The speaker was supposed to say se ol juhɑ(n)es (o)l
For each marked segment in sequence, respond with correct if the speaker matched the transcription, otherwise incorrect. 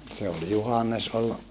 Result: incorrect: nː, correct

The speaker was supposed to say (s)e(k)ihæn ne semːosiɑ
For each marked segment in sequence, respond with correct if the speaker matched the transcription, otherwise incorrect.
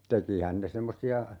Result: incorrect: t, correct

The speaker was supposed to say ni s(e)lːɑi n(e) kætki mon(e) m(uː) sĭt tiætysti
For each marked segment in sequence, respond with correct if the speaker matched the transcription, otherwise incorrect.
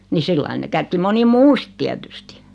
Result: incorrect: i, correct, incorrect: i, correct

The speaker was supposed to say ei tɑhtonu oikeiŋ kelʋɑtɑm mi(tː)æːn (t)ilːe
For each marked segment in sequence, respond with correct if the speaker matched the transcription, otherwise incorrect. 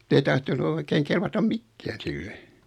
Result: incorrect: kː, incorrect: s

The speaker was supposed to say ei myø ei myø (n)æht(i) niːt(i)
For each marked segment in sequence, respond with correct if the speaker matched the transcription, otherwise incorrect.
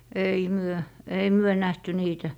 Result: correct, incorrect: y, incorrect: æ

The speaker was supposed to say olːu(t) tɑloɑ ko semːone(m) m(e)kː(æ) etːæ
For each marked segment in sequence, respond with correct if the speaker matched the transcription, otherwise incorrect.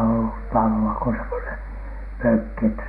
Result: correct, incorrect: n, incorrect: ø, incorrect: i

